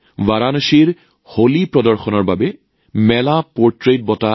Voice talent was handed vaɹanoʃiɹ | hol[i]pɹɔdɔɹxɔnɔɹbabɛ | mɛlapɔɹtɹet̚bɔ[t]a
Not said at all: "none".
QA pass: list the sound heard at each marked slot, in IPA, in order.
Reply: i, t

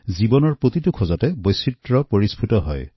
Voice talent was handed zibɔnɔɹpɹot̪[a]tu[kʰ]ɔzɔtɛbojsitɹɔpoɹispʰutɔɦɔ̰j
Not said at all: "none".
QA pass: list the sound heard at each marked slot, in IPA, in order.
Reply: i, kʰ

